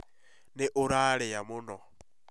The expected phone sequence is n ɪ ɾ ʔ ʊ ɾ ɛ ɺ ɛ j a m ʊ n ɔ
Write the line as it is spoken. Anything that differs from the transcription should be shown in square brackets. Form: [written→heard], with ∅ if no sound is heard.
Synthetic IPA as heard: n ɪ [ɾ→∅] ʔ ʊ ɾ [ɛ→a] ɺ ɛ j a m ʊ n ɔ